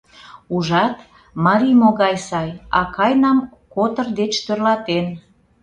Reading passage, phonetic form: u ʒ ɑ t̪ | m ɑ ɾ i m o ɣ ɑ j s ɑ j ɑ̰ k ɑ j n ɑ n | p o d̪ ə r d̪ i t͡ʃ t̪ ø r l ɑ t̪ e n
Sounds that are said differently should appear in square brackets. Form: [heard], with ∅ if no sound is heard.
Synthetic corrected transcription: u ʒ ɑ t̪ | m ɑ ɾ i m o ɣ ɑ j s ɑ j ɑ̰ k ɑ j n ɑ [m] | [k] o [t̪] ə r d̪ [e] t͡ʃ t̪ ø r l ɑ t̪ e n